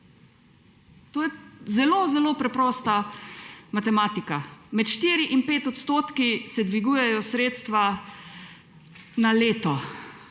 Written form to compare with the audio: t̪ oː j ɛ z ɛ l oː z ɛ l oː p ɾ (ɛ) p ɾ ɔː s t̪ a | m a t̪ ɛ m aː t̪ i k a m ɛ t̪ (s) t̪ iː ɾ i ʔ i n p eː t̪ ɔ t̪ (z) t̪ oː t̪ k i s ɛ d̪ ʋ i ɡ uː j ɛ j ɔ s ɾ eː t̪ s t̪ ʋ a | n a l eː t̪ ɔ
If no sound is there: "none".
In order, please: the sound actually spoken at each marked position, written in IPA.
ɛ, ʃ, s

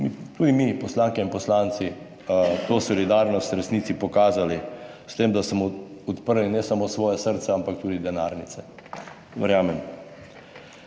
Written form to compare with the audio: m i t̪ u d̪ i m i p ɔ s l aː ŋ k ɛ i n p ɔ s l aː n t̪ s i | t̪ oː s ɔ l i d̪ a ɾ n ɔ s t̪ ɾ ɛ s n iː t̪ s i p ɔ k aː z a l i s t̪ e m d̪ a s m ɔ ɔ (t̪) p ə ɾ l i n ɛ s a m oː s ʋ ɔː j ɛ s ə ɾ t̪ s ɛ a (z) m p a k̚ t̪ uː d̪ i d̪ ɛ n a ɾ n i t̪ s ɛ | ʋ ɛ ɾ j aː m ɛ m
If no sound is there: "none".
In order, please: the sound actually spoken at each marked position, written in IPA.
t̪, none

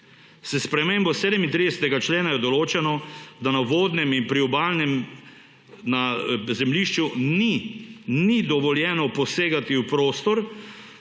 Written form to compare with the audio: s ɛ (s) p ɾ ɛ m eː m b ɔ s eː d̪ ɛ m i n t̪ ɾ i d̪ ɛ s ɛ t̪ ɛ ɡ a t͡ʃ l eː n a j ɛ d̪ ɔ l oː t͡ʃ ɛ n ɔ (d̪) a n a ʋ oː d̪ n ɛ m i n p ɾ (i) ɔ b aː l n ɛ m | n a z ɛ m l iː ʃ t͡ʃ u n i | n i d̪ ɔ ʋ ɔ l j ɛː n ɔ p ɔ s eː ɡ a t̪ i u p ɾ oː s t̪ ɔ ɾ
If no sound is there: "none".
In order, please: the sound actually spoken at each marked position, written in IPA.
s, d̪, i

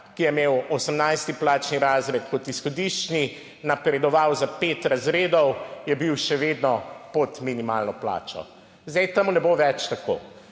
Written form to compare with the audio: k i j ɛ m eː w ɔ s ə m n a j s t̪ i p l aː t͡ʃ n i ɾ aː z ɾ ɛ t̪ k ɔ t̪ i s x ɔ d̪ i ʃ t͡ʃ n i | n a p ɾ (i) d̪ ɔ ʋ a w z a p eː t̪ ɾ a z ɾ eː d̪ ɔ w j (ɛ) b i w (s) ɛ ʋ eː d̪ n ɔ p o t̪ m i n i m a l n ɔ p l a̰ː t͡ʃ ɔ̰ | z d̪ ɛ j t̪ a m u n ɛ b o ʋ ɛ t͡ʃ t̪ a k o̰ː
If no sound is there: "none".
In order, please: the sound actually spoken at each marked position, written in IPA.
ɛ, ɛ, ʃ

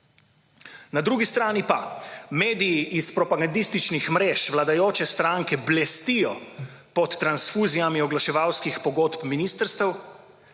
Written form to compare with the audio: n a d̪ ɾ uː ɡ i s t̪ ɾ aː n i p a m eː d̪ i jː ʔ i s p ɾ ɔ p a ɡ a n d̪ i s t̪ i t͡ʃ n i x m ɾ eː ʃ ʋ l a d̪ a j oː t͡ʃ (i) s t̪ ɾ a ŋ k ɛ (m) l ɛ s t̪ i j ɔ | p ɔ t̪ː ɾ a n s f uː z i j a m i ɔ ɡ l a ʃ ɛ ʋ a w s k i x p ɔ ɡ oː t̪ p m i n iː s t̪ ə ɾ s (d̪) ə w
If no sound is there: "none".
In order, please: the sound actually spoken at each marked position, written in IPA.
ɛ, b, t̪

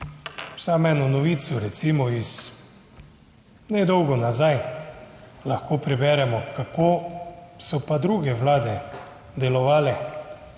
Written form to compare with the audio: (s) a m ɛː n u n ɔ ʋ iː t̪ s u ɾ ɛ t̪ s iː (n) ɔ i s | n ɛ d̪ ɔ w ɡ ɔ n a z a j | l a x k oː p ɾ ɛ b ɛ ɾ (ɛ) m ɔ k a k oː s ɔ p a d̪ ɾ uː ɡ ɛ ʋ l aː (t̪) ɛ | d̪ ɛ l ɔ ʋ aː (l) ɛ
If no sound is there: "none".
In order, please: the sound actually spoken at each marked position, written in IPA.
s, m, ɛ, d̪, l

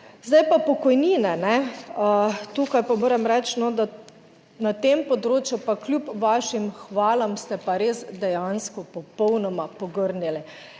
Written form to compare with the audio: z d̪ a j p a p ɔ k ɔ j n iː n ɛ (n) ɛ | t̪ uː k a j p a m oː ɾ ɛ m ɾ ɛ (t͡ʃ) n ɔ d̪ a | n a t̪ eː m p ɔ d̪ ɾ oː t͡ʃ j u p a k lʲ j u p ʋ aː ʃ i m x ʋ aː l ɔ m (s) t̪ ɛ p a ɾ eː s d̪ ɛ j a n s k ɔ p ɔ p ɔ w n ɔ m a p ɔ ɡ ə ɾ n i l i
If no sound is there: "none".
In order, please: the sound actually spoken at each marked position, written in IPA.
n, t͡ʃ, s

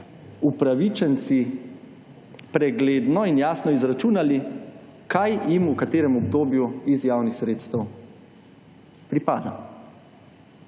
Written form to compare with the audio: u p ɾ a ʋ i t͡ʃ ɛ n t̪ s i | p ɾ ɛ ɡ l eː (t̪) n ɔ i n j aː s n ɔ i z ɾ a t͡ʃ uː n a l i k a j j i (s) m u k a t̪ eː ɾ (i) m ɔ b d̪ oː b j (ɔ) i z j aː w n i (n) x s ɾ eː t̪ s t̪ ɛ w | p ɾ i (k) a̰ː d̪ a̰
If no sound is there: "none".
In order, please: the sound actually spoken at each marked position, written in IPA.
d̪, none, ɛ, u, none, p

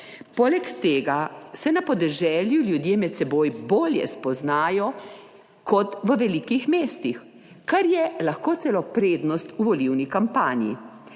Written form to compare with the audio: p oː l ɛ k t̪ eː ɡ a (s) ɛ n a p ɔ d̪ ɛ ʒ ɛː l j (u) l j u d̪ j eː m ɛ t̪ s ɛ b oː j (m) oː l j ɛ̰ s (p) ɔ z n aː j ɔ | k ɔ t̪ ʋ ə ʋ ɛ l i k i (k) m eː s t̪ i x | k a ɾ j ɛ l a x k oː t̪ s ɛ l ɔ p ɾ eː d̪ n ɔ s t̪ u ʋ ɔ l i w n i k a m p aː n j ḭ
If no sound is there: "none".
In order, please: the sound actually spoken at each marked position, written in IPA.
s, u, b, p, x

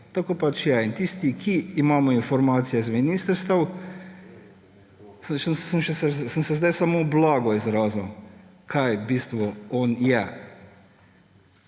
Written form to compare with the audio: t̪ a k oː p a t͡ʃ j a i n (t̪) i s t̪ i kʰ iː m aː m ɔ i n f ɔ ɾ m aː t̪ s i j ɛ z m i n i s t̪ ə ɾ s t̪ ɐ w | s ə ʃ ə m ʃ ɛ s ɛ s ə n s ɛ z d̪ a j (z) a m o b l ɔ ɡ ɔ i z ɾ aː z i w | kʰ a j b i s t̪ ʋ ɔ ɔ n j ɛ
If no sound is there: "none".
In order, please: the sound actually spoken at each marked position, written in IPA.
t̪, s

